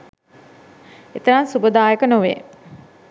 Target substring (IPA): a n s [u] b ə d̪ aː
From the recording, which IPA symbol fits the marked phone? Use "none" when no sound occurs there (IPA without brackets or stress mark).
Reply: u